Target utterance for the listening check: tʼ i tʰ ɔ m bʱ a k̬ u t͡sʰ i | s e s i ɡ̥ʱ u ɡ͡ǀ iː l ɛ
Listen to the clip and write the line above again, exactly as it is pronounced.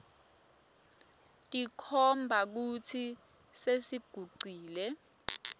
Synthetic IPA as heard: tʼ i kʰ ɔ m bʱ a k̬ u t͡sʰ i | s e s i ɡ̥ʱ u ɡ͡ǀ iː l ɛ

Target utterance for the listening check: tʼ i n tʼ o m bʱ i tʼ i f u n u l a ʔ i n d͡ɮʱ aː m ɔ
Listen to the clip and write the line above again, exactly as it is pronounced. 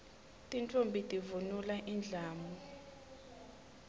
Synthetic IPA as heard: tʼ i n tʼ o m bʱ i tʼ i v u n u l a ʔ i n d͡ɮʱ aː m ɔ

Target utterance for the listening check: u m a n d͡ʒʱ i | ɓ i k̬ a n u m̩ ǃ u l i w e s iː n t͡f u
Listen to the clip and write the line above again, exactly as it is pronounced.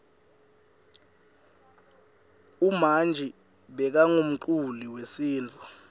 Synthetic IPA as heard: u m a n d͡ʒʱ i | ɓ ɛ k̬ a ŋ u m̩ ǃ u l i w e s iː n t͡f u

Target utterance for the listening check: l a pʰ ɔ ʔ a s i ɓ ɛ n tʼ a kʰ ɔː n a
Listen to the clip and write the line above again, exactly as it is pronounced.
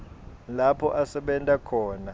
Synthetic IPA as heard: l a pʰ ɔ ʔ a s ɛ ɓ ɛ n tʼ a kʰ ɔː n a

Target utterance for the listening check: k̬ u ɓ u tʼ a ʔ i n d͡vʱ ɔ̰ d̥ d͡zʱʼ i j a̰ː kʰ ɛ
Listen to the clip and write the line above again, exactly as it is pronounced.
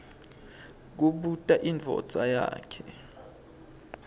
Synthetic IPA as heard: k̬ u ɓ u tʼ a ʔ i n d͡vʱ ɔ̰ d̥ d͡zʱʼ a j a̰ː kʰ ɛ

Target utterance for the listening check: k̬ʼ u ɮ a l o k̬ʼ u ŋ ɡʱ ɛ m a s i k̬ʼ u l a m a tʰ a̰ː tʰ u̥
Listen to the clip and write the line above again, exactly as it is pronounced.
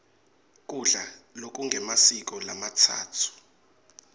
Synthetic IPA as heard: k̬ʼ u ɮ a l o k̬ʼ u ŋ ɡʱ ɛ m a s i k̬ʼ ɔ l a m a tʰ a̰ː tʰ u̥

